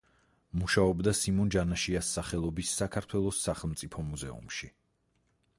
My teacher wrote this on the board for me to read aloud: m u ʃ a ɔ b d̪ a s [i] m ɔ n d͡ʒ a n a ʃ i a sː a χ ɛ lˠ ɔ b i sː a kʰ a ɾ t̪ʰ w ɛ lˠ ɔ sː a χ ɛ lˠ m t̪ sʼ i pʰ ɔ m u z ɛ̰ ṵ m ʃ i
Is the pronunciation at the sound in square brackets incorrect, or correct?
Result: correct